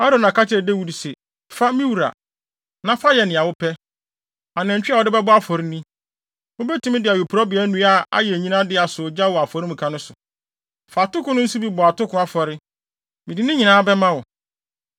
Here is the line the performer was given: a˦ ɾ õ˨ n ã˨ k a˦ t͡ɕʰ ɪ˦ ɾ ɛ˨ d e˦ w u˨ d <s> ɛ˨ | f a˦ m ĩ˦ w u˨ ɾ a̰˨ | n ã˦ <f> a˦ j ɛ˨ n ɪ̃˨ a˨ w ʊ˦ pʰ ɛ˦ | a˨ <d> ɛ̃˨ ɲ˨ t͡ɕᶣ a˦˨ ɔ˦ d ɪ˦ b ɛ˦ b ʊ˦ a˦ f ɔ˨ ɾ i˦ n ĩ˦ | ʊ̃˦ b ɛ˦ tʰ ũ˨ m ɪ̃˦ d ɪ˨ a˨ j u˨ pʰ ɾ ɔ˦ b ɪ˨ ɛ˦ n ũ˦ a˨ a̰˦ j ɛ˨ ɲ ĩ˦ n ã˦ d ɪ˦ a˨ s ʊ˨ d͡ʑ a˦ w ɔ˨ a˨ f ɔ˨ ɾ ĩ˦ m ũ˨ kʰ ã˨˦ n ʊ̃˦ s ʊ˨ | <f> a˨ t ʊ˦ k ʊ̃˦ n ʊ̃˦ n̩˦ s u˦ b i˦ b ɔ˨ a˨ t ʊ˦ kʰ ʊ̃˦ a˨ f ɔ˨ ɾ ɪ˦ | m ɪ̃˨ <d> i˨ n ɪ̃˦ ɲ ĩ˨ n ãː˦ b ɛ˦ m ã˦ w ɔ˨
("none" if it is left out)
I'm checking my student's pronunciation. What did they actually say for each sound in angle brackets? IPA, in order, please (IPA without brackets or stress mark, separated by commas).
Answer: s, f, n, f, d